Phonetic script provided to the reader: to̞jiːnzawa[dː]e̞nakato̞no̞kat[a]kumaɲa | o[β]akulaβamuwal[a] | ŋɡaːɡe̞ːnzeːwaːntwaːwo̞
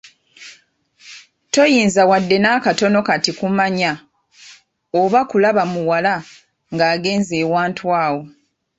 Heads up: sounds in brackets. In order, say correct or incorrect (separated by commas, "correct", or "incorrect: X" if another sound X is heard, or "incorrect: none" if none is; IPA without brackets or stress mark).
correct, incorrect: i, correct, correct